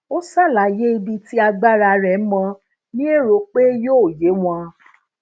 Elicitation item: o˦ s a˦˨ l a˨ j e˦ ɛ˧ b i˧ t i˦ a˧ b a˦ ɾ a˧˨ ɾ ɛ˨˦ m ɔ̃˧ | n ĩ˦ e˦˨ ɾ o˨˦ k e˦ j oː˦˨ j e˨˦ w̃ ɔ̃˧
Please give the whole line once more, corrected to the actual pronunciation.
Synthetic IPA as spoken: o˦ s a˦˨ l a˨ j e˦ i˧ b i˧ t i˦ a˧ ɡ͡b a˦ ɾ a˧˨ ɾ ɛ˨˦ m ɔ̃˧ | n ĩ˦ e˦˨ ɾ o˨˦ k͡p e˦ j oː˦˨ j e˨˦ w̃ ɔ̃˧